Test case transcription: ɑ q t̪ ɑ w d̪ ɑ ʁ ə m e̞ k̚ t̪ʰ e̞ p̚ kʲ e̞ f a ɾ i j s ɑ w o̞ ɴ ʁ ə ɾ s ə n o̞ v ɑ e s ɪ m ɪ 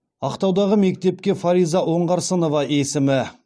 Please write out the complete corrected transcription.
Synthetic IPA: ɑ q t̪ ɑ w d̪ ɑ ʁ ə m e̞ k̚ t̪ e̞ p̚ kʲ e̞ f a ɾ i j z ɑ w o̞ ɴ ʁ ɑ ɾ s ə n o̞ v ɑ e s ɪ m ɪ

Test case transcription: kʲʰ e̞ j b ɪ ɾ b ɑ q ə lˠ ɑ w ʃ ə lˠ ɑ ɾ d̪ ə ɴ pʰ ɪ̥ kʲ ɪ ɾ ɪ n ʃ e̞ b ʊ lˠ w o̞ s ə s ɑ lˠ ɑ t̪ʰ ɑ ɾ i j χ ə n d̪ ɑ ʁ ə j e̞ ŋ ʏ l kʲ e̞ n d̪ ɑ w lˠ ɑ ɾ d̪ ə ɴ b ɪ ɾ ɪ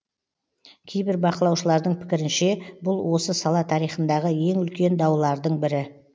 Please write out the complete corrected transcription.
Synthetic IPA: kʲʰ e̞ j b ɪ ɾ b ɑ q ə lˠ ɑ w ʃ ə lˠ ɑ ɾ d̪ ə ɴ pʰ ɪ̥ kʲ ɪ ɾ ɪ n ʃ e̞ b ʊ lˠ w o̞ s ə s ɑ lˠ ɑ t̪ʰ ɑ ɾ i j χ ə n d̪ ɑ ʁ ə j e̞ ŋ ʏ l kʲ e̞ n d̪ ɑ w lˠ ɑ ɾ d̪ ə ɴ b ɪ ɾ ɪ

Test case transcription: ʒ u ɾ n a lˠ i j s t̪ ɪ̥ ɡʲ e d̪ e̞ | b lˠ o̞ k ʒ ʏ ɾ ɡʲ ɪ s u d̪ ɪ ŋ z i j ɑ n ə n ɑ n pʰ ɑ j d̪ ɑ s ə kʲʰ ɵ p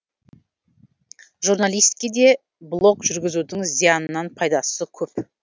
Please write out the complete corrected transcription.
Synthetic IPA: ʒ u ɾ n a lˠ i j s t̪ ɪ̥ kʲ e d̪ e̞ | b lˠ o̞ k ʒ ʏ ɾ ɡʲ ɪ z u d̪ ɪ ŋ z i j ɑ n ə n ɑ n pʰ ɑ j d̪ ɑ s ə kʲʰ ɵ p

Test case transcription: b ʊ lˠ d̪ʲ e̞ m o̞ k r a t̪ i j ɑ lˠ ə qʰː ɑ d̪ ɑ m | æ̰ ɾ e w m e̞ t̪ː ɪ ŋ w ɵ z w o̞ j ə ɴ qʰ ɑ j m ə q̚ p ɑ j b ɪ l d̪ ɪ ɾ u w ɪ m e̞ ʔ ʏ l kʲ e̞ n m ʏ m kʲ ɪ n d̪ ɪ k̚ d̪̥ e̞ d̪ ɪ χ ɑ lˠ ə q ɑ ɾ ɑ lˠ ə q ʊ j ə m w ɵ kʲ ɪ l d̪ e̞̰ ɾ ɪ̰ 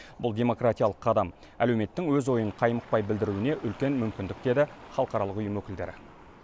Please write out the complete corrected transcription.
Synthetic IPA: b ʊ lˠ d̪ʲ e̞ m o̞ k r a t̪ i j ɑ lˠ ə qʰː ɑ d̪ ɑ m | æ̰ l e w m e̞ t̪ː ɪ ŋ w ɵ z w o̞ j ə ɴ qʰ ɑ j m ə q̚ p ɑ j b ɪ l d̪ ɪ ɾ u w ɪ n e̞ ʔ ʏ l kʲ e̞ n m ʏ m kʲ ɪ n d̪ ɪ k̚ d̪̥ e̞ d̪ ɪ χ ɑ lˠ ə q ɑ ɾ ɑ lˠ ə q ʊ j ə m w ɵ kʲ ɪ l d̪ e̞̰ ɾ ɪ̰

